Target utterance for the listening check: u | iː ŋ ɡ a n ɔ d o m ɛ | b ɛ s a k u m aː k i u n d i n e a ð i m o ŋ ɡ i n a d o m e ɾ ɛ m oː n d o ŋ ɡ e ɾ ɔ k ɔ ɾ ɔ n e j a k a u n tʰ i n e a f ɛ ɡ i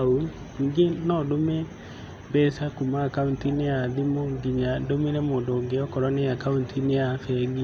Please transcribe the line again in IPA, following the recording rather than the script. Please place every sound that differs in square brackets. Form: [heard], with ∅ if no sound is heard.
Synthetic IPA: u | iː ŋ ɡ [e] n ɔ d o m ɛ | b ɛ s a k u m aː k [a] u n [t] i n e a ð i m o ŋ ɡ i [ɲ] a d o m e ɾ ɛ m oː n d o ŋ ɡ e [∅] ɔ k ɔ ɾ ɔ n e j a k a u n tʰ i n e a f ɛ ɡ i

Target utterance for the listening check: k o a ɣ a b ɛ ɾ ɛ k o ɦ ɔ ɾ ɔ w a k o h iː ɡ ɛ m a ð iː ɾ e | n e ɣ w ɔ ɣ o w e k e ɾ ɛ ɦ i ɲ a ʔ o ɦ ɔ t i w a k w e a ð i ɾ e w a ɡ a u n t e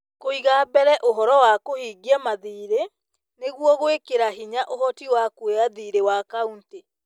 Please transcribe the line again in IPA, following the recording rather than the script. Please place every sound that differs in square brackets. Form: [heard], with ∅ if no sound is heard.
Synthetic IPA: k o [i] ɣ a b ɛ ɾ ɛ [ʔ] o ɦ ɔ ɾ ɔ w a k o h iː ɡ ɛ m a ð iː ɾ e | n e ɣ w ɔ ɣ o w e k e ɾ [a] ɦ i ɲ a ʔ o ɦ ɔ t i w a k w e a ð i ɾ e w a [k] a u n t e

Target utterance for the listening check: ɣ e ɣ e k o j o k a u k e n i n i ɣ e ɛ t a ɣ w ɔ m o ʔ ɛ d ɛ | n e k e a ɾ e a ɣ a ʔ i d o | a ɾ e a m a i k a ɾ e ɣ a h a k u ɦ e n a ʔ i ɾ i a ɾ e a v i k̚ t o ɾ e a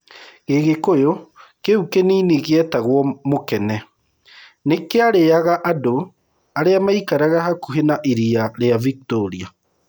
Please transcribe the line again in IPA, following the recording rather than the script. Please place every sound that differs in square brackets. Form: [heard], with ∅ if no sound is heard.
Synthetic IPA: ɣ e ɣ e k o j o k [e] u k e n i n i ɣ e ɛ t a ɣ w ɔ m o [k] ɛ [n] ɛ | n e k e a ɾ e a ɣ a ʔ [a] d o | a ɾ e a m a i k a ɾ [a] ɣ a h a k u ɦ e n a ʔ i ɾ i a ɾ e a v i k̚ t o ɾ [i] a

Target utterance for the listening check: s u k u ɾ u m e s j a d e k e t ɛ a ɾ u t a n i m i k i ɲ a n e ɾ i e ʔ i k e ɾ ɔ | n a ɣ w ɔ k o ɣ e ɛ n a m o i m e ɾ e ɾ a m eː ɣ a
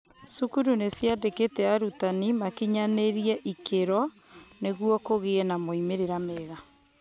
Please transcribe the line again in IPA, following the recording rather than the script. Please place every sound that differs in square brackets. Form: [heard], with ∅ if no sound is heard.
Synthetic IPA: s u k u ɾ u [n] e s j a d e k e t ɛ a ɾ u t a n i m [a] k i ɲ a n e ɾ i [ɛ] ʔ i k e ɾ ɔ | n [e] ɣ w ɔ k o ɣ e ɛ n a m o i m e ɾ e ɾ a m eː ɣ a

